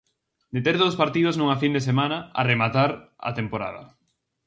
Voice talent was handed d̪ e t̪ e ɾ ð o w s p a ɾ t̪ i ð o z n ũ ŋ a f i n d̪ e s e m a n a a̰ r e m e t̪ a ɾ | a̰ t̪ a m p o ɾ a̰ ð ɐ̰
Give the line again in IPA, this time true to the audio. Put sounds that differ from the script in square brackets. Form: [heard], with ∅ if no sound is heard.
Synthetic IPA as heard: d̪ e t̪ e ɾ ð o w s p a ɾ t̪ i ð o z n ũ ŋ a f i n d̪ e s e m a n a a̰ r e m [a] t̪ a ɾ | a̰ t̪ [e] m p o ɾ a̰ ð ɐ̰